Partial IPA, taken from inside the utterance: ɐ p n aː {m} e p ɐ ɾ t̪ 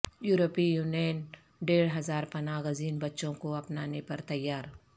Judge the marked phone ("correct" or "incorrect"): incorrect